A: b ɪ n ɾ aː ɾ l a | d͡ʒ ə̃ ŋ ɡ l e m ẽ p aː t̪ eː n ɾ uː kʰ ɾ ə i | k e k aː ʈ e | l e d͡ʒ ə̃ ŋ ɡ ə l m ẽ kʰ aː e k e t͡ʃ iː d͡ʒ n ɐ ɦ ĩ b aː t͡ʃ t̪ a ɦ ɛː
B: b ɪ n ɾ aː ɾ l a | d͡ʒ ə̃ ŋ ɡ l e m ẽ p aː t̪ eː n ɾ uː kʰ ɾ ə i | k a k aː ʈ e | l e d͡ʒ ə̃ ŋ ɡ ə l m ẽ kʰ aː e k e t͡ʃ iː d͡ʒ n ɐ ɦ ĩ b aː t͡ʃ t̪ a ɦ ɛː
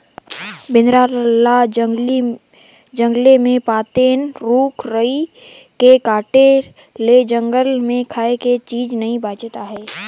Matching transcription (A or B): A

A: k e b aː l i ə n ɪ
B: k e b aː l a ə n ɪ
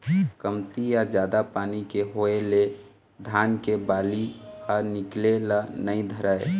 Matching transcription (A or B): A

